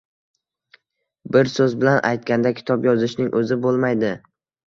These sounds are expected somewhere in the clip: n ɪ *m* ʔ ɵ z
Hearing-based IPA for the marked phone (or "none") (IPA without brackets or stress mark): ŋ